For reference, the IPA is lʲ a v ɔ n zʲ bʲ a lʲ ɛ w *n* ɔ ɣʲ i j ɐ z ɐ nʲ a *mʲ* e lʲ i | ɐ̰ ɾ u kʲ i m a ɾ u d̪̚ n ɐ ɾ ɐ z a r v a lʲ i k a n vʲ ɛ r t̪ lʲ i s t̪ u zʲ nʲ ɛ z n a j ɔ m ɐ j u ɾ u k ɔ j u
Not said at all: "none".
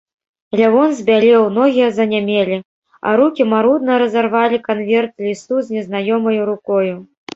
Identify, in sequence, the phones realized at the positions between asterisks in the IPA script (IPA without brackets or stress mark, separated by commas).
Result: n, mʲ